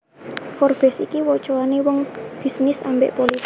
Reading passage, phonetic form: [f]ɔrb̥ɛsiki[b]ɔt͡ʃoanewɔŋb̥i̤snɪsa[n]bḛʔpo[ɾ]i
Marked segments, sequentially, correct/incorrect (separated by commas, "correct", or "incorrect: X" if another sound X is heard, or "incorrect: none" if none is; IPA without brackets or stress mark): correct, incorrect: w, incorrect: m, incorrect: l